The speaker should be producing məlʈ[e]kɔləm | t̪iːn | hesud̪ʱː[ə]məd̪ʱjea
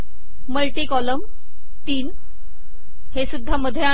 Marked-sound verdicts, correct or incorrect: incorrect, incorrect

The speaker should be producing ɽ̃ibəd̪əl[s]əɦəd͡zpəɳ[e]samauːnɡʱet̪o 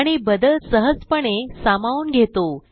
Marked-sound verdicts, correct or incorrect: correct, correct

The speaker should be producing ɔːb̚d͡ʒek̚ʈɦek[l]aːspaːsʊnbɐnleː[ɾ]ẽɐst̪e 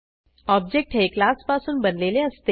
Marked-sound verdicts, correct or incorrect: correct, incorrect

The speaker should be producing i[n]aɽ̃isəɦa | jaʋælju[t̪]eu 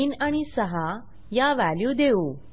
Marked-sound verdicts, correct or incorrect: correct, incorrect

